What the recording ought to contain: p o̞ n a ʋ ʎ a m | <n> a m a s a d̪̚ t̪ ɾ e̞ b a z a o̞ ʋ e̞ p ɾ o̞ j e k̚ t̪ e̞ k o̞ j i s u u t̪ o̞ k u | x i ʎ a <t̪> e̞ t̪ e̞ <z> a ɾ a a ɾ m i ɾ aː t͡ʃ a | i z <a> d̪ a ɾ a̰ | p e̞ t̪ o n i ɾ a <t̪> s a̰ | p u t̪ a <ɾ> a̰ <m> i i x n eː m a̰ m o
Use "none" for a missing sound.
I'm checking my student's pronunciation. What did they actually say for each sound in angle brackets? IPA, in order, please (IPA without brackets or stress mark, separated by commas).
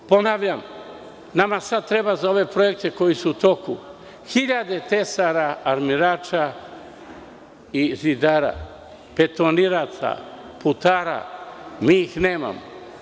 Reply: n, d̪, s, i, t̪, ɾ, m